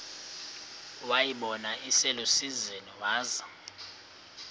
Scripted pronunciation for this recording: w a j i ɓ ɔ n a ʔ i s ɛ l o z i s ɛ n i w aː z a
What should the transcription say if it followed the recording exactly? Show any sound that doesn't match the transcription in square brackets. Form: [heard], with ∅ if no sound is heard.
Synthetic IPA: w a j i ɓ ɔ n a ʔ i s ɛ l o [s] i [z] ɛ n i w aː z a